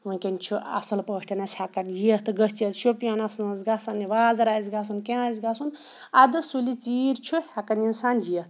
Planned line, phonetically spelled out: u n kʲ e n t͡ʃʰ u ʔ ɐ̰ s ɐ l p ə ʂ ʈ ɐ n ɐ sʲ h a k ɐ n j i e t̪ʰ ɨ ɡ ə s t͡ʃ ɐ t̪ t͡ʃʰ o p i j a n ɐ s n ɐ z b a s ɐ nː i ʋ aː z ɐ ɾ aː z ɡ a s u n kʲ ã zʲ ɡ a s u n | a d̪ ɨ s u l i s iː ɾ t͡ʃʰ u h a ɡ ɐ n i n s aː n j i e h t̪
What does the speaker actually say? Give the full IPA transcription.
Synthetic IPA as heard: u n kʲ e n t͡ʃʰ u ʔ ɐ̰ s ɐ l p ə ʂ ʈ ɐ n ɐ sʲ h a k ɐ n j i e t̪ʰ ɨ ɡ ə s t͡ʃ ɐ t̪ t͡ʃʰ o p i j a n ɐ s n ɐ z ɡ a s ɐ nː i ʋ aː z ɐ ɾ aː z ɡ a s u n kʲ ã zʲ ɡ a s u n | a d̪ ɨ s u l i t͡s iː ɾ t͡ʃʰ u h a k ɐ n i n s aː n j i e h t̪